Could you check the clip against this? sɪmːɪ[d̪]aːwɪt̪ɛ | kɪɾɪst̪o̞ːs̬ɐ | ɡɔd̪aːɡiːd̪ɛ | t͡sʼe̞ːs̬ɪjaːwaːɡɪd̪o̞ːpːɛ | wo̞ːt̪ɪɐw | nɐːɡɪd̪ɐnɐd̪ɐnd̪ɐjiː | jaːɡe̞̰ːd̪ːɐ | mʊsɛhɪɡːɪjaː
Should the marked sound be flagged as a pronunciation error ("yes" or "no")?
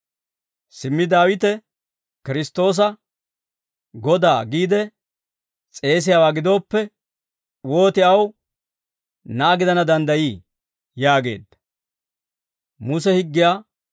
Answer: no